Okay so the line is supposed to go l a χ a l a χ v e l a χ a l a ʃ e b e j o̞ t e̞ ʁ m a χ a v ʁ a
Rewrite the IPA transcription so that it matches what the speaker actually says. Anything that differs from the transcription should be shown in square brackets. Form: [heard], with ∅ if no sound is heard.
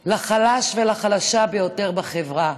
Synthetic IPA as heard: l a χ a l a [ʃ] v e l a χ a l a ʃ [a] b e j o̞ t e̞ ʁ [b] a χ [e] v ʁ a